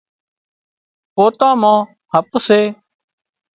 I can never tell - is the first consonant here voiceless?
yes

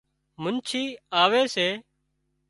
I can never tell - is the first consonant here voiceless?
no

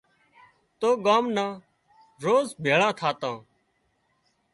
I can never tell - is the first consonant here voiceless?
yes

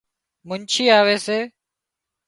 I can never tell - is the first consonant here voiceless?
no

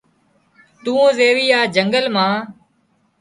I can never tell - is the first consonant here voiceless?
yes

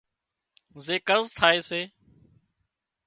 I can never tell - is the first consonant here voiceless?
no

